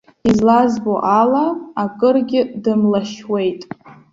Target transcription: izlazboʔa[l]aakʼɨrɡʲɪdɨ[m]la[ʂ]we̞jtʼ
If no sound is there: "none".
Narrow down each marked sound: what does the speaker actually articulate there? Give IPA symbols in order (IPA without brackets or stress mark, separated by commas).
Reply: l, m, ʃ